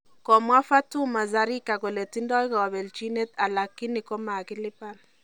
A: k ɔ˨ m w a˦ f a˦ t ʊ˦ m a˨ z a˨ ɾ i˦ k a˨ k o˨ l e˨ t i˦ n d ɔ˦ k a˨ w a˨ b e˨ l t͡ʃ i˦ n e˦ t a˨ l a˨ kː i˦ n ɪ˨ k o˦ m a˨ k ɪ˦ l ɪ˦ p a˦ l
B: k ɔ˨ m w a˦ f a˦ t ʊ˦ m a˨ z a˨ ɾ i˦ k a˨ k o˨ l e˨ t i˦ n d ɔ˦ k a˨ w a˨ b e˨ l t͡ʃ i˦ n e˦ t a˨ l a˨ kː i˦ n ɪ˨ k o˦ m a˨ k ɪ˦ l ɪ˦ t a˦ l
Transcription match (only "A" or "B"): A